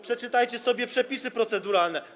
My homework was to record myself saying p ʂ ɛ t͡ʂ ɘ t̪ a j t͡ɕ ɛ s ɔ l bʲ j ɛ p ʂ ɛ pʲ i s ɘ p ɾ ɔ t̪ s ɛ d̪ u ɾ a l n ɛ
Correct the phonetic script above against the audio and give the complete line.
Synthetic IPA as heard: p ʂ ɛ t͡ʂ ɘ t̪ a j t͡ɕ ɛ s ɔ bʲ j ɛ p ʂ ɛ pʲ i s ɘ p ɾ ɔ t̪ s ɛ d̪ u ɾ a l n ɛ